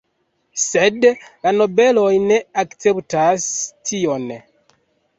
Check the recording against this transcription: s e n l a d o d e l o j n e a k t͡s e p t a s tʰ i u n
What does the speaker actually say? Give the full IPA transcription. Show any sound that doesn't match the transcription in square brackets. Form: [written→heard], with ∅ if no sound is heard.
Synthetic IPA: s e [n→d] l a [d→n] o [d→b] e l o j n e a k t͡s e p t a s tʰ i [u→o] n